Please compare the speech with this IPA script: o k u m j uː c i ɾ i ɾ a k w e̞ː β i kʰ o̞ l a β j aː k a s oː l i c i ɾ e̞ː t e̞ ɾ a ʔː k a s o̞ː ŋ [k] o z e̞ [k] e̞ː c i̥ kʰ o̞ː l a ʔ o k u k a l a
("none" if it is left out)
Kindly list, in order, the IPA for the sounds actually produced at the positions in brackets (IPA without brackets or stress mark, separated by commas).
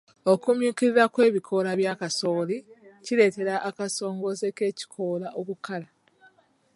ɡ, k